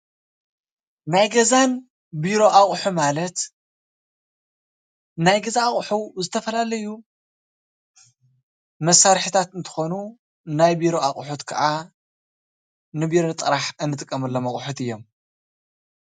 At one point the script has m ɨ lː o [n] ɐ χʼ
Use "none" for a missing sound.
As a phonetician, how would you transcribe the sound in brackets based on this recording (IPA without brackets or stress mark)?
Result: m